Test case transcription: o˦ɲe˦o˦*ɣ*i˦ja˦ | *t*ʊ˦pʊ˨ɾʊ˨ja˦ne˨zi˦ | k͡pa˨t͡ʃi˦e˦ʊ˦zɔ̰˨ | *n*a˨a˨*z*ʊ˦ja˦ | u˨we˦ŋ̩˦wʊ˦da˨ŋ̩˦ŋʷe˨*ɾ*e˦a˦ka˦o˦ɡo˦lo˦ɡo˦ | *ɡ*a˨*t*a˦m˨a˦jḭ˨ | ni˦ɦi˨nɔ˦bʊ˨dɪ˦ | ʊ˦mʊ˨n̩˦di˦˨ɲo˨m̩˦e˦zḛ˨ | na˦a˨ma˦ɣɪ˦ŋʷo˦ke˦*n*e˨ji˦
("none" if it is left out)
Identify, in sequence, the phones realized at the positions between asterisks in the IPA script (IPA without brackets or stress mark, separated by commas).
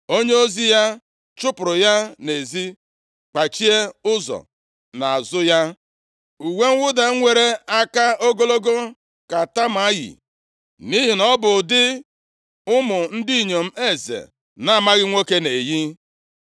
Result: z, t͡ʃ, n, z, ɾ, k, t, n